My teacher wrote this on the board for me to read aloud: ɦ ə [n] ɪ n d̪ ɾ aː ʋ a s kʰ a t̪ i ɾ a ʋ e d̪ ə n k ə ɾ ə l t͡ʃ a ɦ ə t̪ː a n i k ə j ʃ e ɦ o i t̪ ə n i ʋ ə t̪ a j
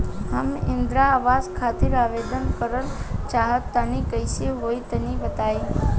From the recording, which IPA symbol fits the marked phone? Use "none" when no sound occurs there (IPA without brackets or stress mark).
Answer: m